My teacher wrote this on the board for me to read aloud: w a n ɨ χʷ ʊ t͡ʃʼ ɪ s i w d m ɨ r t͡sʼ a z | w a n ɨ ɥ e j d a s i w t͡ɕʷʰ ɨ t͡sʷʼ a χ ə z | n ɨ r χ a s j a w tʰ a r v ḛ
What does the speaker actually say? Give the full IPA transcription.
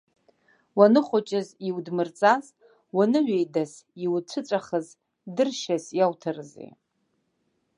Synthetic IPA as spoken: w a n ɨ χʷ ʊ t͡ʃʼ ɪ z i w d m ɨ r t͡sʼ a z | w a n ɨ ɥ e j d a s i w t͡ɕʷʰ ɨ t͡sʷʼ a χ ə z | d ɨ r ʃ a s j a w tʰ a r z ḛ